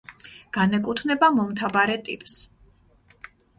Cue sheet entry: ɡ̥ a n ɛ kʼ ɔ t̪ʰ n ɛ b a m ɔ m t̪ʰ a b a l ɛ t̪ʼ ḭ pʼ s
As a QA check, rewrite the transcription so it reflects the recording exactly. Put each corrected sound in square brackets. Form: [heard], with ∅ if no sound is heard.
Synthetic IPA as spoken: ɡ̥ a n ɛ kʼ [u] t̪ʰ n ɛ b a m ɔ m t̪ʰ a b a [ɾ] ɛ t̪ʼ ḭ pʼ s